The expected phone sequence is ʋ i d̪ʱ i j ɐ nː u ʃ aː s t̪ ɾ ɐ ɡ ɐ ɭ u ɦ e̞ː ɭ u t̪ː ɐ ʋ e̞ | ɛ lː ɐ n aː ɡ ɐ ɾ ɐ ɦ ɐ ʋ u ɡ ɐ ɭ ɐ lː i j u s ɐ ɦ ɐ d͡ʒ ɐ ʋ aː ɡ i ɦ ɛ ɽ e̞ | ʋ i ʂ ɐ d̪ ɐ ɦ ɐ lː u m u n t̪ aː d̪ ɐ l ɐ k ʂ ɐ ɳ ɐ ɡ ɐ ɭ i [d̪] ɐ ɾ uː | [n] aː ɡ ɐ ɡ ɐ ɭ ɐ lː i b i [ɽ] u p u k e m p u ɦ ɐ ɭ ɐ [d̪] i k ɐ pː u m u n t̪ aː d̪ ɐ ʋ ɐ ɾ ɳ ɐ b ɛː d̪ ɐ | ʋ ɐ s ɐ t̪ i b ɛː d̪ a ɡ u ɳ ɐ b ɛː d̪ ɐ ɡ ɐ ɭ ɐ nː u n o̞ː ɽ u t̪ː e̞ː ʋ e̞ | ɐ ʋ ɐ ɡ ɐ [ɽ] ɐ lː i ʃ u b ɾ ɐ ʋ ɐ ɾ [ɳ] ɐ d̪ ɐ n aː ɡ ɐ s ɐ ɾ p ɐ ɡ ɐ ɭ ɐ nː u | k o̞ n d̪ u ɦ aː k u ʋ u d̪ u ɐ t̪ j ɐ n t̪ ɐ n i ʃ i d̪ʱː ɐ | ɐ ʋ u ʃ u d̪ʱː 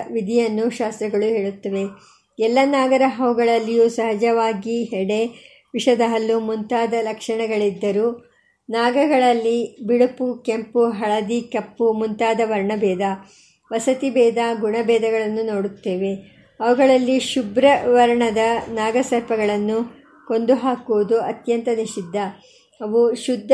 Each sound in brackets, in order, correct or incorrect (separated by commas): incorrect, correct, correct, correct, incorrect, correct